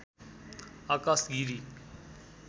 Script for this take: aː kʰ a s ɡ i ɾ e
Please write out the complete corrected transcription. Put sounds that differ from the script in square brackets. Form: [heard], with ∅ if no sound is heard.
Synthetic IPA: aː [k] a s ɡ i ɾ [i]